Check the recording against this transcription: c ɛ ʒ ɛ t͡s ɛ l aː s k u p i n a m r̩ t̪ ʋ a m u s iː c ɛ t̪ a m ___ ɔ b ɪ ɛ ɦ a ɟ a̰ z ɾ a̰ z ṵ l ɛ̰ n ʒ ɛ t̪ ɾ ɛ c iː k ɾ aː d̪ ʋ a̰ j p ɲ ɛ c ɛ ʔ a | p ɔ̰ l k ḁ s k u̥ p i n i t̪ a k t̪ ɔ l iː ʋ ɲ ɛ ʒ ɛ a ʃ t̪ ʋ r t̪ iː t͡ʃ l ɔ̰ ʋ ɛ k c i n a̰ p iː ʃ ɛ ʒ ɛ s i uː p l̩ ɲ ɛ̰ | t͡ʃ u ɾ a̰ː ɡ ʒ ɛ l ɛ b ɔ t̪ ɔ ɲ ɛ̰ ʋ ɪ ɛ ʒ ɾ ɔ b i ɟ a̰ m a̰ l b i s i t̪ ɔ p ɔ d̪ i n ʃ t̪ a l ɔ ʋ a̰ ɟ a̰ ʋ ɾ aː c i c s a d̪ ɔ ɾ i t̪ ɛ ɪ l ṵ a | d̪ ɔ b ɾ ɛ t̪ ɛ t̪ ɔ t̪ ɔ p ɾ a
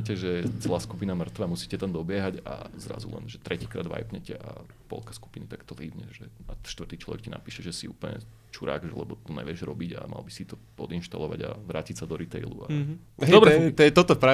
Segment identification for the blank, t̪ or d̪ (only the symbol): d̪